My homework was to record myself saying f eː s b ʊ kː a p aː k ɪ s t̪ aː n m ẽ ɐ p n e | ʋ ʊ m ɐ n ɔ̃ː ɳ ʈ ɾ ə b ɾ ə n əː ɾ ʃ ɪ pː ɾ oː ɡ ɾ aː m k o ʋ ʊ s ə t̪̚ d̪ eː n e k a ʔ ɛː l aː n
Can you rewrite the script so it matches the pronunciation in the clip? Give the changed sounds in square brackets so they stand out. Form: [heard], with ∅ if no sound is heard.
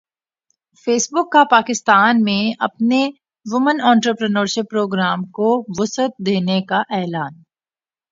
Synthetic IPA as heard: f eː s b ʊ kː a p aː k ɪ s t̪ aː n m ẽ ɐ p n e | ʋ ʊ m [ə] n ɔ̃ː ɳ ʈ ɾ ə [p] ɾ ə n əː ɾ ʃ ɪ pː ɾ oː ɡ ɾ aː m k o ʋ ʊ s ə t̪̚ d̪ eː n e k a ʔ ɛː l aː n